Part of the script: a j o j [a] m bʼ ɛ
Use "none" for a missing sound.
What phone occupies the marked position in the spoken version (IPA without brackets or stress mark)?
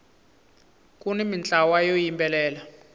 i